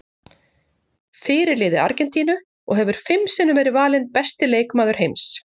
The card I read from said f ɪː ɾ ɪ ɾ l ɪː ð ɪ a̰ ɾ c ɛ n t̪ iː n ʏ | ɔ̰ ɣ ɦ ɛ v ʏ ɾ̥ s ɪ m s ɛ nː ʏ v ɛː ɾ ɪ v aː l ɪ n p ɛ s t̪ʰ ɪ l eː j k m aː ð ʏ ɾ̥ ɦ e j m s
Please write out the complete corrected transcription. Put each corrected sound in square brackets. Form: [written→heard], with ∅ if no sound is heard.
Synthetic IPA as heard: f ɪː ɾ ɪ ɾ l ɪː ð ɪ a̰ ɾ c ɛ n t̪ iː n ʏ | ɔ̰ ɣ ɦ ɛ v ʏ ɾ̥ [s→f] ɪ m s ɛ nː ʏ v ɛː ɾ ɪ v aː l ɪ n p ɛ s [t̪ʰ→t̪] ɪ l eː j k m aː ð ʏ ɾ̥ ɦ e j m s